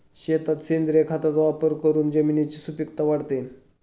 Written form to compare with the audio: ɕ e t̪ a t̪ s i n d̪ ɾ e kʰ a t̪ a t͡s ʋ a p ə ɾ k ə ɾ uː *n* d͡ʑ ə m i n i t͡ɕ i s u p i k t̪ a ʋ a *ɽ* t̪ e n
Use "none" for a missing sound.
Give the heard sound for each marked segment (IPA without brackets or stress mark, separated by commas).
n, ɽ